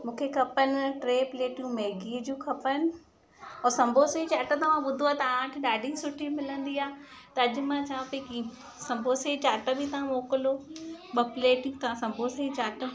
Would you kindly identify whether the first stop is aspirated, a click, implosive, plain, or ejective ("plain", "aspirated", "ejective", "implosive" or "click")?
aspirated